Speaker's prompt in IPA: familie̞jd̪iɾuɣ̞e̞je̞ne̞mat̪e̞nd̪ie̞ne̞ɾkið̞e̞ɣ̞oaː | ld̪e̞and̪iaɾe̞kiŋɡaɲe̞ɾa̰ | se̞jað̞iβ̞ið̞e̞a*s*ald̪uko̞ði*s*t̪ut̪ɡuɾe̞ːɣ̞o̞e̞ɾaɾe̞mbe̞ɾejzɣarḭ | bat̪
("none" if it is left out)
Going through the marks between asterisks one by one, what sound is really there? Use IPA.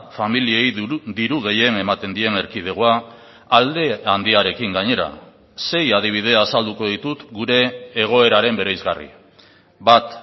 s, none

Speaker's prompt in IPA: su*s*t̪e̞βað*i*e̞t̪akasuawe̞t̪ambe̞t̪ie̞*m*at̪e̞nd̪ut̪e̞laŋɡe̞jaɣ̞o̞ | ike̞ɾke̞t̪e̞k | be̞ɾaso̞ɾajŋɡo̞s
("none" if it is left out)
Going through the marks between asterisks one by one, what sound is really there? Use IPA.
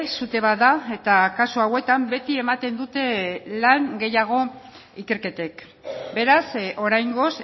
none, a, m

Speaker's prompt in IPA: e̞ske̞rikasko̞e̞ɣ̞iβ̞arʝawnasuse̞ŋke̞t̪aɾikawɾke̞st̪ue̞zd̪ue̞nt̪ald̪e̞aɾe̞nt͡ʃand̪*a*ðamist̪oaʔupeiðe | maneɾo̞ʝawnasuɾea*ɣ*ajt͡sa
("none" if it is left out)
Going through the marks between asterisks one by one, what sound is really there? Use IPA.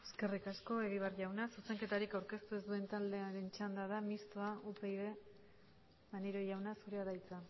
a, ð

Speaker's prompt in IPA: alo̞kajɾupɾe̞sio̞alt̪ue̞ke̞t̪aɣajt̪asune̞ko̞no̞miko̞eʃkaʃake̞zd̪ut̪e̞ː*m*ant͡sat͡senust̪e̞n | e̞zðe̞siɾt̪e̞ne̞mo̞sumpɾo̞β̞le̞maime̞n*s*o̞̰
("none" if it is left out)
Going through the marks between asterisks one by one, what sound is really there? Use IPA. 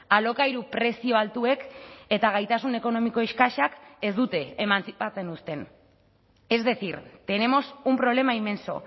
m, s

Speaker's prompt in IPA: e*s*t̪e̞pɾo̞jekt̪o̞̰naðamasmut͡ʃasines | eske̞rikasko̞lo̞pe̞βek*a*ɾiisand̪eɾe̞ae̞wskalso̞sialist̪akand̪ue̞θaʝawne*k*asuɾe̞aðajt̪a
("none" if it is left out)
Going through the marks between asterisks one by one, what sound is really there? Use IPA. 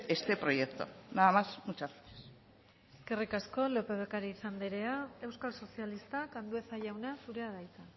s, a, none

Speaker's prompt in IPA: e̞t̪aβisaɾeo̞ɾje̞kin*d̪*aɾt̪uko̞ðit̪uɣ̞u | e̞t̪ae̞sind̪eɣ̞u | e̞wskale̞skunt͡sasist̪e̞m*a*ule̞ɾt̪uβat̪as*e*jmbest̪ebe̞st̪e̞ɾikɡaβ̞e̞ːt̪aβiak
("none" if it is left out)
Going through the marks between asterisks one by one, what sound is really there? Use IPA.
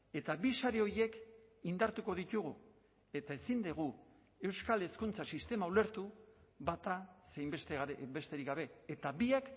d̪, a, e

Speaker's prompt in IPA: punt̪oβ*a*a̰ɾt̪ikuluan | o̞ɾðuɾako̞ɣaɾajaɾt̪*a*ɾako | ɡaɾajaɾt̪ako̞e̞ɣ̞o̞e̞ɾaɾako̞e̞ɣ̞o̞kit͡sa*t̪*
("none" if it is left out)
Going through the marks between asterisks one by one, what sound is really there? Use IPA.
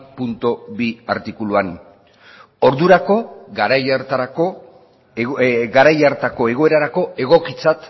i, a, t̪

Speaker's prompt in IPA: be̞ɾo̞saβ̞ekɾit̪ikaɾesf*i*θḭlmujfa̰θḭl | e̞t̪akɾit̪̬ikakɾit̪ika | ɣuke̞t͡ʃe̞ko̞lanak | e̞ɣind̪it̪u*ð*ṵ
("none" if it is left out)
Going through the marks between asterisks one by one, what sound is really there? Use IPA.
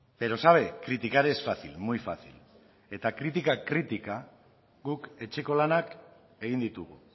a, ɣ

